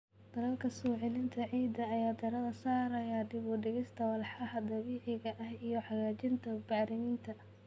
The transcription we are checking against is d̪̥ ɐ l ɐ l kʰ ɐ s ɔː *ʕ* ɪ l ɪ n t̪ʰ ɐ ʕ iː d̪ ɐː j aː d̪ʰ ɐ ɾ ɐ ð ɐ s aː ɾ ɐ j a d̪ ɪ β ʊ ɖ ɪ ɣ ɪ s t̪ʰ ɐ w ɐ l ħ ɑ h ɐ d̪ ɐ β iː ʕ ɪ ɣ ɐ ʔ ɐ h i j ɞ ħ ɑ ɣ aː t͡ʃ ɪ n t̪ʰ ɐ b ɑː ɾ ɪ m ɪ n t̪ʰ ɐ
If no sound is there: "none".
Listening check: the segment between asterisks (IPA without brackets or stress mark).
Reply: ʕ